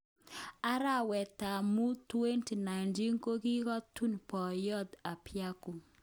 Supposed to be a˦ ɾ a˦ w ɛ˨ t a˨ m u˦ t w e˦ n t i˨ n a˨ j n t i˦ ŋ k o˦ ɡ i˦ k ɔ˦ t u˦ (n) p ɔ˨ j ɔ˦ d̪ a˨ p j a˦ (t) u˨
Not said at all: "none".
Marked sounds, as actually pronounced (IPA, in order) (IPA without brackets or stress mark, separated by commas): n, k